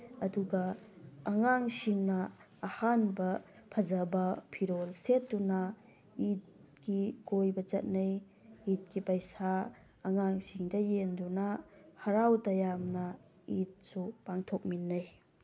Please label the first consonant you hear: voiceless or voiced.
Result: voiced